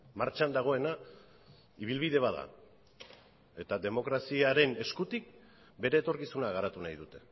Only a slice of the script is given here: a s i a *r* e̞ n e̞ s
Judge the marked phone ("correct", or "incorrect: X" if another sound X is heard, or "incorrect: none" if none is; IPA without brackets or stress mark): incorrect: ɾ